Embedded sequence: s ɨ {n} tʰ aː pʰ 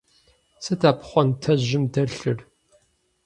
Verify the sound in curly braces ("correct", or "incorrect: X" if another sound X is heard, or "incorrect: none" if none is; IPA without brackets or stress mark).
incorrect: none